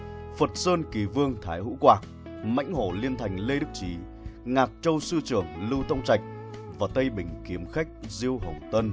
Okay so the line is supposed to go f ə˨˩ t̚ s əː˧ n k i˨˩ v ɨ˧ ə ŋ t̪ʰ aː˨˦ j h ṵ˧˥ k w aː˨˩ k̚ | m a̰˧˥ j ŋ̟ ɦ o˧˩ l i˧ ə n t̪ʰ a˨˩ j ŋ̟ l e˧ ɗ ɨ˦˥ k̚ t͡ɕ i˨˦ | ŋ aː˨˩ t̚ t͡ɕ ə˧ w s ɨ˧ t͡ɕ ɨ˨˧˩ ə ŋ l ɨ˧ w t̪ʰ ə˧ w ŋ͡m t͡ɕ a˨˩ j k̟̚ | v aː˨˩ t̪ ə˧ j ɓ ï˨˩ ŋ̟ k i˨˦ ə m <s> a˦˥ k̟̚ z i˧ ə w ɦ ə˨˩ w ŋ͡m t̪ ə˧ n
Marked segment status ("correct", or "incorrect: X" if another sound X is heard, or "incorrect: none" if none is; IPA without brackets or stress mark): incorrect: x